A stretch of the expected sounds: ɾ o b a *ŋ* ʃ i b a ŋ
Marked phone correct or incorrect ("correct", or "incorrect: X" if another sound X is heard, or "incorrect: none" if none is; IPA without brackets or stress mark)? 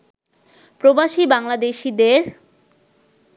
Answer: incorrect: none